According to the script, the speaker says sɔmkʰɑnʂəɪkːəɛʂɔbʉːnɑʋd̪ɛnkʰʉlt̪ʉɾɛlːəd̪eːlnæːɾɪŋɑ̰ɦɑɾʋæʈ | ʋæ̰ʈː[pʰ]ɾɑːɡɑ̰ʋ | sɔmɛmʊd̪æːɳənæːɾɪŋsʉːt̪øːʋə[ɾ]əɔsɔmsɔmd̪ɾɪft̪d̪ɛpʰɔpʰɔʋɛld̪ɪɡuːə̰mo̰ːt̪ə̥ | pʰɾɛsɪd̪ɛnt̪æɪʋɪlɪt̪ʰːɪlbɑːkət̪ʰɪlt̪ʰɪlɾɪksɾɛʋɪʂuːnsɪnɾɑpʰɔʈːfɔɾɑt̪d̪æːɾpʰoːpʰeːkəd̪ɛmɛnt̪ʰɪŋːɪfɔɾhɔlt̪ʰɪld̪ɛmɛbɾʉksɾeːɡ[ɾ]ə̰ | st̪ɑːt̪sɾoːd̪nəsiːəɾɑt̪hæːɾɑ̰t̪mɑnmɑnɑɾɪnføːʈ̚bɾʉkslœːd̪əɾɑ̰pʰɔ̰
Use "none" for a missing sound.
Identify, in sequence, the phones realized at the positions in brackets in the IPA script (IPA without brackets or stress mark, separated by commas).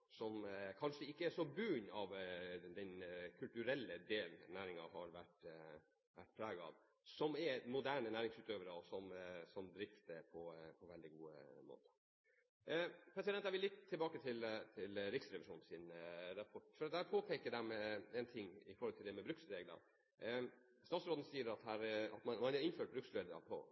pʰ, ɾ, l